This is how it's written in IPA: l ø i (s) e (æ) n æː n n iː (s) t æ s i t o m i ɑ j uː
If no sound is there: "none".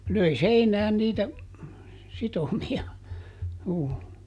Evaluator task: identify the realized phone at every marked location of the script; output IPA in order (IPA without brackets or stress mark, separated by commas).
s, i, none